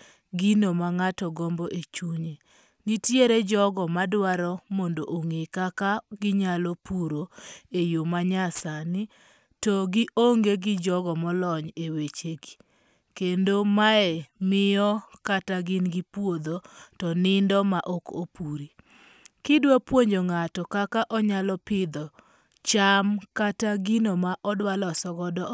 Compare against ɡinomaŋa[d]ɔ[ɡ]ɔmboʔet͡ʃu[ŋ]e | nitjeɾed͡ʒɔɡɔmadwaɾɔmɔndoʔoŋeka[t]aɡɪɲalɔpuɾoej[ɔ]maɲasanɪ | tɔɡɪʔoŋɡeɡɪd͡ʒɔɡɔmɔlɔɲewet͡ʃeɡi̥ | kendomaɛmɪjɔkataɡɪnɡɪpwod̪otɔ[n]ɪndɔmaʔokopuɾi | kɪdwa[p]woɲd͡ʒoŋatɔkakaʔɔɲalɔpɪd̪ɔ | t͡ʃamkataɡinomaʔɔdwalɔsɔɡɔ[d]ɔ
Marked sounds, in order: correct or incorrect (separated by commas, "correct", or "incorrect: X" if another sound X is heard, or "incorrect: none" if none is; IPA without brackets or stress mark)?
incorrect: t, correct, incorrect: ɲ, incorrect: k, incorrect: o, correct, correct, correct